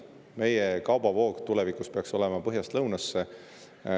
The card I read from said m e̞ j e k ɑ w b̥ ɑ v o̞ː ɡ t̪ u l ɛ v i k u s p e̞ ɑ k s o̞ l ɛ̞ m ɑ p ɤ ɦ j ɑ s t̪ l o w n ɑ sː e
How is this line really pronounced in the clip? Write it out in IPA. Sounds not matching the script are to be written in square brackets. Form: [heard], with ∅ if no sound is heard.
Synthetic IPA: m e̞ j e k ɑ w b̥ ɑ v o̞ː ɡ t̪ u l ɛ v i k u s p e̞ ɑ k s o̞ l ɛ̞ m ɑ p ɤ ɦ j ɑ s t̪ l [ɤ] w n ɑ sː e